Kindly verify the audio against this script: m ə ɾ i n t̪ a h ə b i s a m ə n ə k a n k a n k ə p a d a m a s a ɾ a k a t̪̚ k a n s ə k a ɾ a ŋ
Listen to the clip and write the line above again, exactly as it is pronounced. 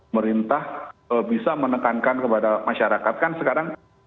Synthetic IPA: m ə ɾ i n t̪ a h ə b i s a m ə n ə k a n k a n k ə p a d a m a ʃ a ɾ a k a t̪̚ k a n s ə k a ɾ a ŋ